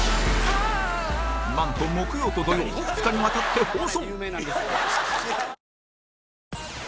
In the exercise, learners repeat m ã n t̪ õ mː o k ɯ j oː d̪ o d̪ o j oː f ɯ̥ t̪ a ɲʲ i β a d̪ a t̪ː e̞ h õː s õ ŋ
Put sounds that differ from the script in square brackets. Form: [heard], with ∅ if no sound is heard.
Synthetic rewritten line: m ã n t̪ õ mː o k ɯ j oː [t̪] o d̪ o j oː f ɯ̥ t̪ a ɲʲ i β a [t̪] a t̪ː e̞ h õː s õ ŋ